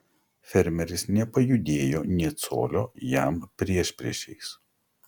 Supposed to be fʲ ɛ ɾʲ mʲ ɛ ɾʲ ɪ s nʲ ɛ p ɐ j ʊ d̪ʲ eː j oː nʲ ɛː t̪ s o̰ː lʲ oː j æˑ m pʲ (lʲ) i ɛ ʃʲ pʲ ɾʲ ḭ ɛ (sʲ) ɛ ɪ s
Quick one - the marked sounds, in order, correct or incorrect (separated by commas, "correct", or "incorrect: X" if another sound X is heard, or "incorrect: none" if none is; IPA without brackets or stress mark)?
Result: incorrect: ɾʲ, incorrect: ʃʲ